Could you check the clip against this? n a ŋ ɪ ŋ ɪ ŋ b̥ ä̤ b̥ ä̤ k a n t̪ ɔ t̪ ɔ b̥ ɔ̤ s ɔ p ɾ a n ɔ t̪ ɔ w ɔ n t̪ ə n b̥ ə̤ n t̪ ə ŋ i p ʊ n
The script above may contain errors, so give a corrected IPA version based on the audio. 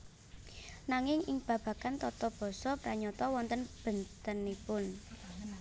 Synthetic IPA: n a ŋ ɪ ŋ ɪ ŋ b̥ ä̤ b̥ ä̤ k a n t̪ ɔ t̪ ɔ b̥ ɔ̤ s ɔ p ɾ a ɲ ɔ t̪ ɔ w ɔ n t̪ ə n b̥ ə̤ n t̪ ə n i p ʊ n